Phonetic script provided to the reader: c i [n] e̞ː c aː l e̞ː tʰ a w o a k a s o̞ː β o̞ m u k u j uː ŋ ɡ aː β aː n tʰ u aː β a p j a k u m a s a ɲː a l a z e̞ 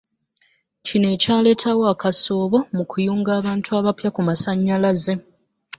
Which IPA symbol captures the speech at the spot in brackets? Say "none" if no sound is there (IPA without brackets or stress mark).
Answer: n